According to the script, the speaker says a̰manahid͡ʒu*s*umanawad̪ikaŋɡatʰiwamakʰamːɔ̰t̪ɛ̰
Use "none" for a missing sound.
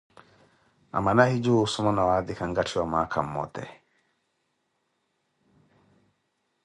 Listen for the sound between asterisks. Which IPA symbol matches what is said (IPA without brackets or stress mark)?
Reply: s